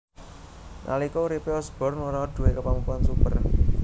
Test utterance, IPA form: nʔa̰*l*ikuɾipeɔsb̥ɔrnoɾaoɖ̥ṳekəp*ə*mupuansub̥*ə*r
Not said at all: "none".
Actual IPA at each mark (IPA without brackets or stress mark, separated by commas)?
l, a, ə